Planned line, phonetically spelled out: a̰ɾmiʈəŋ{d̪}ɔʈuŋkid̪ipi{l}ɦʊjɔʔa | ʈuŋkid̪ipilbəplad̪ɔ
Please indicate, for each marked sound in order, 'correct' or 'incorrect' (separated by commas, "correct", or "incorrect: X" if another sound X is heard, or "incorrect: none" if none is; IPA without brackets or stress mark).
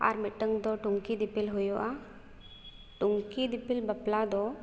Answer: correct, correct